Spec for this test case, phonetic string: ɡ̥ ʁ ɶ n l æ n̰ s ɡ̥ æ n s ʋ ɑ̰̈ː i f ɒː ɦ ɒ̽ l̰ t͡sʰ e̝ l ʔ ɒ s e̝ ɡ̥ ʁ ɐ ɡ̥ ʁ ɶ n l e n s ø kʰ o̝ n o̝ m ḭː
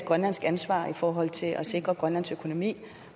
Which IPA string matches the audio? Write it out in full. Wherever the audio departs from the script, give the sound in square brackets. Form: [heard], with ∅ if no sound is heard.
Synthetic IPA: ɡ̥ ʁ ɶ n l æ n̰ s ɡ̥ æ n s ʋ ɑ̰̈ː i f ɒː ɦ ɒ̽ l̰ t͡sʰ e̝ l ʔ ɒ s e̝ ɡ̥ ʁ ɐ ɡ̥ ʁ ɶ n l [æ] n s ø kʰ o̝ n o̝ m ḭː